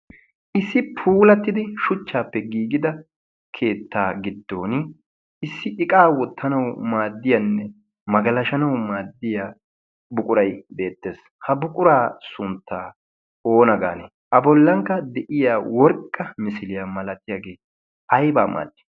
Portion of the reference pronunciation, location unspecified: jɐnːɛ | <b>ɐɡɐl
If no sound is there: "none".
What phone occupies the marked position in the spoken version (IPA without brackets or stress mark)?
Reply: m